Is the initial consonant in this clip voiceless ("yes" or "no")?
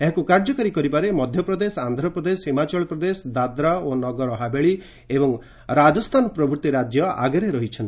no